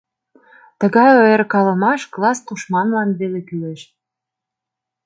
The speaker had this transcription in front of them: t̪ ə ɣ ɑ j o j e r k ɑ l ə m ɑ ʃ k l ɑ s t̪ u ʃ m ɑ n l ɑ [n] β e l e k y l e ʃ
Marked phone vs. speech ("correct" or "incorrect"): correct